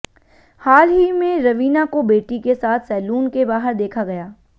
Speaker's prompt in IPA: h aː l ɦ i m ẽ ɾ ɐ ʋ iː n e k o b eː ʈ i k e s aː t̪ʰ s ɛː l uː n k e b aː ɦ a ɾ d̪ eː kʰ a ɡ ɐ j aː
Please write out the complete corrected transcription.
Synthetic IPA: h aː l ɦ i m ẽ ɾ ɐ ʋ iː n a k o b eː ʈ i k e s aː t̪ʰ s ɛː l uː n k e b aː ɦ ə ɾ d̪ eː kʰ a ɡ ɐ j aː